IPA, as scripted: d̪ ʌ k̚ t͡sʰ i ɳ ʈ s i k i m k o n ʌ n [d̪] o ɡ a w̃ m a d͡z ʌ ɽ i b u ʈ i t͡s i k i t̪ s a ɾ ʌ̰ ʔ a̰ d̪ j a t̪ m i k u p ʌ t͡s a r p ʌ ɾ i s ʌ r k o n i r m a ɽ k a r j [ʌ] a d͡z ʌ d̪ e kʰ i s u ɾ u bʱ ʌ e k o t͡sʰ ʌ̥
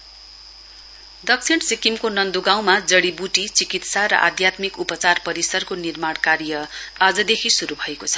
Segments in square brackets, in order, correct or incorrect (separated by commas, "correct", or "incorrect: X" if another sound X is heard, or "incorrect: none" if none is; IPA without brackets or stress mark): correct, correct